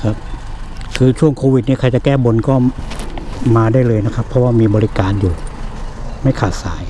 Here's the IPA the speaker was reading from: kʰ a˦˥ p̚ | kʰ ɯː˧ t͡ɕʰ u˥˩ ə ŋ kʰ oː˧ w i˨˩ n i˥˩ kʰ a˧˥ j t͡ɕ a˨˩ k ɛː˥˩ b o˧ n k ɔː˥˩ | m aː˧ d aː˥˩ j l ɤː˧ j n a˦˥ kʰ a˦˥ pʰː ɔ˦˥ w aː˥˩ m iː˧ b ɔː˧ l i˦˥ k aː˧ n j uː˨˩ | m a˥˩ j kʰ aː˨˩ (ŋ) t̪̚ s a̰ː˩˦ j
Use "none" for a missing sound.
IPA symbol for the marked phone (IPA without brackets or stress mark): none